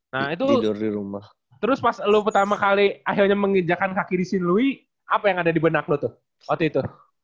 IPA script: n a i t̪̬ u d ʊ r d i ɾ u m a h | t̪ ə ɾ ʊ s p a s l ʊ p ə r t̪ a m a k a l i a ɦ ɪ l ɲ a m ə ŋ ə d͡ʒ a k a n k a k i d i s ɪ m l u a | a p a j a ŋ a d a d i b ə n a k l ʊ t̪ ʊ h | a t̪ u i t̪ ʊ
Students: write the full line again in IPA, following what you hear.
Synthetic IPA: n a i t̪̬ u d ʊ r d i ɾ u m a h | t̪ ə ɾ ʊ s p a s l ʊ p ə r t̪ a m a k a l i a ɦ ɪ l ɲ a m ə ŋ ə d͡ʒ a k a n k a k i d i s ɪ n l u i | a p a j a ŋ a d a d i b ə n a k l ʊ t̪ ʊ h | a t̪ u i t̪ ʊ